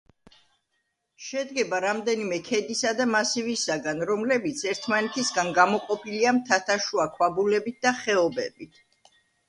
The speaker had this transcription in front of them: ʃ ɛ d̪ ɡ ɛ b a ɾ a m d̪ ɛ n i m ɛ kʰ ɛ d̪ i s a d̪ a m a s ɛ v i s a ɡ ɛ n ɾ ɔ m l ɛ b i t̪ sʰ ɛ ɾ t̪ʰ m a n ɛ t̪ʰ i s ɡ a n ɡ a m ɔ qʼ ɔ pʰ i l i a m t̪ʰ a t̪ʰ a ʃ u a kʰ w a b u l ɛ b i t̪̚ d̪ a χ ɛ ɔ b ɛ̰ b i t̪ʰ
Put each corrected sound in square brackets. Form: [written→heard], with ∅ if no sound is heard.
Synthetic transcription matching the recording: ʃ ɛ d̪ ɡ ɛ b a ɾ a m d̪ ɛ n i m ɛ kʰ ɛ d̪ i s a d̪ a m a s [ɛ→i] v i s a ɡ [ɛ→a] n ɾ ɔ m l ɛ b i t̪ sʰ ɛ ɾ t̪ʰ m a n ɛ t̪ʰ i s ɡ a n ɡ a m ɔ qʼ ɔ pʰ i l i a m t̪ʰ a t̪ʰ a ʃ u a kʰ w a b u l ɛ b i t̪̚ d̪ a χ ɛ ɔ b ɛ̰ b i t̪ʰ